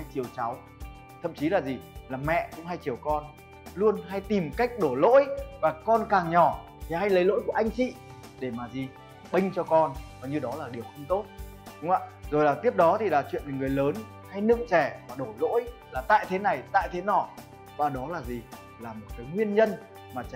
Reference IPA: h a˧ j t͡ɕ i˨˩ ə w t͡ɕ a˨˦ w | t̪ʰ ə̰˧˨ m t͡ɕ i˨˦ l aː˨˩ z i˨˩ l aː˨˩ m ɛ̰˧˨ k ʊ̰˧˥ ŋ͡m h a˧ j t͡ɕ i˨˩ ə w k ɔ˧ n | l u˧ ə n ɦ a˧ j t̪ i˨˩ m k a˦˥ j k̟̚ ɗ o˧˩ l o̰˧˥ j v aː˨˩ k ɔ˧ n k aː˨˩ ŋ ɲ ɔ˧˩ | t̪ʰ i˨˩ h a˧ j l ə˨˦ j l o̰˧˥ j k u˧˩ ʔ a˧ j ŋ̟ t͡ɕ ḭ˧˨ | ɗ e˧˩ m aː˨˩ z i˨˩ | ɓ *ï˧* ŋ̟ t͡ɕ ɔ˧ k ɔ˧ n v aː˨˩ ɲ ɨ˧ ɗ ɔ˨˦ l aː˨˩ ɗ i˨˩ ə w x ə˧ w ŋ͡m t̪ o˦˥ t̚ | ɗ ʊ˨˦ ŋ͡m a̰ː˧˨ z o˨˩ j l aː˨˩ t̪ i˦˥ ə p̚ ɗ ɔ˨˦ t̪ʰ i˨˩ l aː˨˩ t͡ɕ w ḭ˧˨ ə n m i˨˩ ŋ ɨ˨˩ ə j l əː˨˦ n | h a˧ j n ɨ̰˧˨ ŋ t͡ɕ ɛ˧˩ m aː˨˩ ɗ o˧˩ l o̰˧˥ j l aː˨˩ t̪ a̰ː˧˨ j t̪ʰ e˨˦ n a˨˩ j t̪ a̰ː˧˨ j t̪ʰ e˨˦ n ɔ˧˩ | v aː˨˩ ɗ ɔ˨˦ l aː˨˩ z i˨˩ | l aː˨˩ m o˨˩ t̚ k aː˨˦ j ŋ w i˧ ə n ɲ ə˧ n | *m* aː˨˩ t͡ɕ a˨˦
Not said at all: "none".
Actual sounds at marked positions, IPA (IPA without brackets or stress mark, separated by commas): ï˧, m